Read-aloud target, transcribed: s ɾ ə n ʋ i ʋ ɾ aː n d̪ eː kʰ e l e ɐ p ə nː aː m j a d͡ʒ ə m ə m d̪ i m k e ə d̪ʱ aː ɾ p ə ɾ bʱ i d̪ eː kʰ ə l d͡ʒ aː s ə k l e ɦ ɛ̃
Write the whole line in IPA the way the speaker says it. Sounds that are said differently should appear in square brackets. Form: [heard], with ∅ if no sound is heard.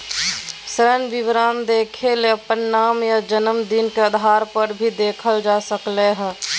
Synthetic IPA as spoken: s ɾ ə n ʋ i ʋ ɾ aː n d̪ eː kʰ e l e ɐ p ə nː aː m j a d͡ʒ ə [n] ə m d̪ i [n] k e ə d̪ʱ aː ɾ p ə ɾ bʱ i d̪ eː kʰ ə l d͡ʒ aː s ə k l e ɦ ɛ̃